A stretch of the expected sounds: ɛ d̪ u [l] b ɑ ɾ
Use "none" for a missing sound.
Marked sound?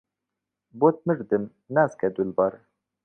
l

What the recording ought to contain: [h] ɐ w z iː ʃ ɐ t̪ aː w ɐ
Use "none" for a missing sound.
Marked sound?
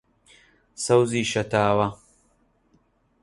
s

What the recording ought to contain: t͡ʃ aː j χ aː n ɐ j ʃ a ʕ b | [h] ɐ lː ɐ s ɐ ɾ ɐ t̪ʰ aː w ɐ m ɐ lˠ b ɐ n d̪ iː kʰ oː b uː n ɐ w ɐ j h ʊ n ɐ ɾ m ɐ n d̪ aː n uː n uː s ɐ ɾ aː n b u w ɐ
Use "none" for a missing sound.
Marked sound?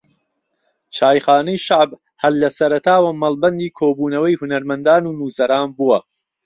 h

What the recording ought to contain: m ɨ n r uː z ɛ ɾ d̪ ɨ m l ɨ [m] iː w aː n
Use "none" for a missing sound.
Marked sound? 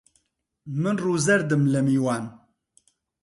m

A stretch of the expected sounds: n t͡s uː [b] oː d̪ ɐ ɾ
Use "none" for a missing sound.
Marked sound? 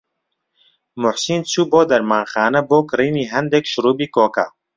b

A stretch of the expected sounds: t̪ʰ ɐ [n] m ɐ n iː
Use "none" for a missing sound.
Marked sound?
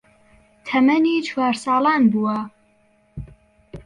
none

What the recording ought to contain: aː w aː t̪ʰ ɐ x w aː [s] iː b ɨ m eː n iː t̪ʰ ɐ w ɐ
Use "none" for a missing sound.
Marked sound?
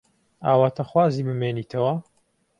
z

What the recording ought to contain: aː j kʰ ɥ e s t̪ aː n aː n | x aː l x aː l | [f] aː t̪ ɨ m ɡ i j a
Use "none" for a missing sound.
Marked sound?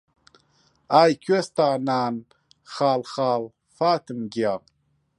f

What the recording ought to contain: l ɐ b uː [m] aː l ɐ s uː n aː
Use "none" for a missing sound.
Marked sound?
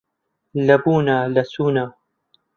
n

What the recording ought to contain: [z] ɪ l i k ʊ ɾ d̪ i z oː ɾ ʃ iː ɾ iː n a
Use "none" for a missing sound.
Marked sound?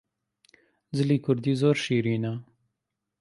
z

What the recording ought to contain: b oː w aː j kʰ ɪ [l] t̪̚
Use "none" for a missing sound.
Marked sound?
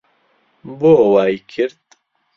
ɾ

